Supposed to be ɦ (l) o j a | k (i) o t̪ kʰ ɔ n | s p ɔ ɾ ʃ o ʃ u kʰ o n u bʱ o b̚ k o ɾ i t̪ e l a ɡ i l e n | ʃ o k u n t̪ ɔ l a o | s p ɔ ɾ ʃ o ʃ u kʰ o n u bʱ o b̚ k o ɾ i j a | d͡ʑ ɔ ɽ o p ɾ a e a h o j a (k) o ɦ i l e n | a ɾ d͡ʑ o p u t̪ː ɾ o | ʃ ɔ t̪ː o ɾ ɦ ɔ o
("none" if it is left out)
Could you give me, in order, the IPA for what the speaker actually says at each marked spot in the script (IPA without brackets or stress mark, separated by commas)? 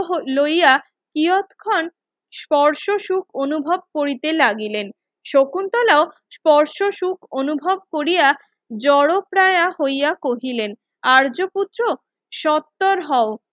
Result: l, i, k